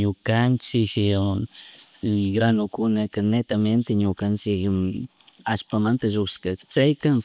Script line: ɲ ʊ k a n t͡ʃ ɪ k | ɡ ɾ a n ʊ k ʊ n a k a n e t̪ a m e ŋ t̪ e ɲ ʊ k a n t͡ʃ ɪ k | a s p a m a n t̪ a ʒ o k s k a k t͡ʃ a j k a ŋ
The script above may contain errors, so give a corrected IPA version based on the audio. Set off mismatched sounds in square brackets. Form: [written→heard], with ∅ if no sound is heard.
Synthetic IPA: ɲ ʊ k a n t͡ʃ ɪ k | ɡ ɾ a n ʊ k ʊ n a k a n e t̪ a m e [ŋ→n] t̪ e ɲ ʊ k a n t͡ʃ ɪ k | a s p a m a n t̪ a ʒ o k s k a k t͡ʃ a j k a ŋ